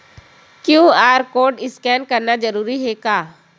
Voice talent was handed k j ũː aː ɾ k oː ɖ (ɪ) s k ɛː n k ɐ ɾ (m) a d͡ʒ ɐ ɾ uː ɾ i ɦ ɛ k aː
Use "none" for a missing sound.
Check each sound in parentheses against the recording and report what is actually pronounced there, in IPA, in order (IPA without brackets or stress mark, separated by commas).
ɪ, n